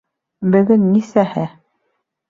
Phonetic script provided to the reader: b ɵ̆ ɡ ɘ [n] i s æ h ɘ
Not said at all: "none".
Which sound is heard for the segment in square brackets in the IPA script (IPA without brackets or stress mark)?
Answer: nː